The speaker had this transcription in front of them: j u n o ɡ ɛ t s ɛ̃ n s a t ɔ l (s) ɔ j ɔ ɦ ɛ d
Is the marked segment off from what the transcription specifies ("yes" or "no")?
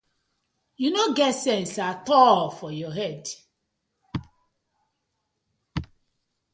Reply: yes